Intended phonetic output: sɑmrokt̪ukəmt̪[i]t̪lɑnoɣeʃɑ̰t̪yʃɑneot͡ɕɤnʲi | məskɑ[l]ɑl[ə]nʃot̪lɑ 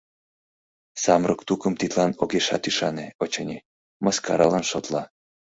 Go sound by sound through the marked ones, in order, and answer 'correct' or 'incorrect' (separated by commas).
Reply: correct, incorrect, incorrect